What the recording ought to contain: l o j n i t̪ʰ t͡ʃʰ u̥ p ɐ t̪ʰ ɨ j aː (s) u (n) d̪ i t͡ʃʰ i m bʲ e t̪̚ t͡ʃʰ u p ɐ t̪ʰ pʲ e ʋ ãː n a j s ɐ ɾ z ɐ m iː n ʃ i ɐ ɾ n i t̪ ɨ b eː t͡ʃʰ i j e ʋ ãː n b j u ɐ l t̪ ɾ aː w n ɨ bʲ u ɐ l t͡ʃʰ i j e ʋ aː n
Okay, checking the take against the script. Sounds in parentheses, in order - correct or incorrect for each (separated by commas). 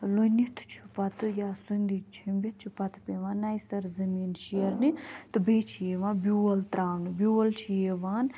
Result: correct, correct